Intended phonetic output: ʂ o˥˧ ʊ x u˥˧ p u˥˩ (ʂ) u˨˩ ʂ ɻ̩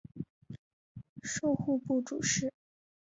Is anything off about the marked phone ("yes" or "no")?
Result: yes